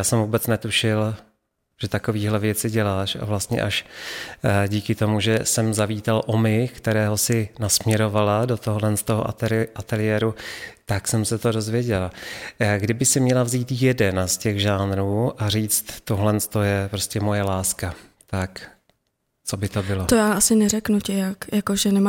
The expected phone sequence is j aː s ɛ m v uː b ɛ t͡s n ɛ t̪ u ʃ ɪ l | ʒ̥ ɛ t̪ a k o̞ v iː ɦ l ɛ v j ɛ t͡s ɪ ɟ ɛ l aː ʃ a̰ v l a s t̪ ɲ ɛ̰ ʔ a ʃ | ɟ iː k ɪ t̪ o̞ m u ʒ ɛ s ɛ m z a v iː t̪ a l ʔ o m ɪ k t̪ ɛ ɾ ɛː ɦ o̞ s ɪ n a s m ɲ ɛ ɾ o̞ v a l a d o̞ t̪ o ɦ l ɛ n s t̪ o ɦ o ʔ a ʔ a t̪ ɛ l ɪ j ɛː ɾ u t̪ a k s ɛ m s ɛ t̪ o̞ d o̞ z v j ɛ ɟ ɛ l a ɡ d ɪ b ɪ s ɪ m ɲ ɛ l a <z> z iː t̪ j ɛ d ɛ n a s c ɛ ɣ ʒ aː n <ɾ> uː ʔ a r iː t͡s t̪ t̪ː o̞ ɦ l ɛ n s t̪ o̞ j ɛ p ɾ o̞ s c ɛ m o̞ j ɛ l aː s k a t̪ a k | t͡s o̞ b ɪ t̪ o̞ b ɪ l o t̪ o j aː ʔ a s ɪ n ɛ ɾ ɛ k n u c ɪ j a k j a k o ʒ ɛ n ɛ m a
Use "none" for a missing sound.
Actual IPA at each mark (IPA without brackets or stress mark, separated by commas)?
v, ɾ